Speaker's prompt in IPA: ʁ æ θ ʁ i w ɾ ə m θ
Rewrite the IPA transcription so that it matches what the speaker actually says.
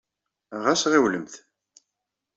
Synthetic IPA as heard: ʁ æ s ʁ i w l ə m θ